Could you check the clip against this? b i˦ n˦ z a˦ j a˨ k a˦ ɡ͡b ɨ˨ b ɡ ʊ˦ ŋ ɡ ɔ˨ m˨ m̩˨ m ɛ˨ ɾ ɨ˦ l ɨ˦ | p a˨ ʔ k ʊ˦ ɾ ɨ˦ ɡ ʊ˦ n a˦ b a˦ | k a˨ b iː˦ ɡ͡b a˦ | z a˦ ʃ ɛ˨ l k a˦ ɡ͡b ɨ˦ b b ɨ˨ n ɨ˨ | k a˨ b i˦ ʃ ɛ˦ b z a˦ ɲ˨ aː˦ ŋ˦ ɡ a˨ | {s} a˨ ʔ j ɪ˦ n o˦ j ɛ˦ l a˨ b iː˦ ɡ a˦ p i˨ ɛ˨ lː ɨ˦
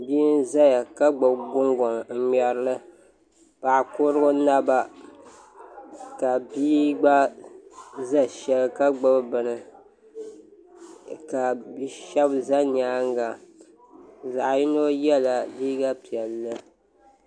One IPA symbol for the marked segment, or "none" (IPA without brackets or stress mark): z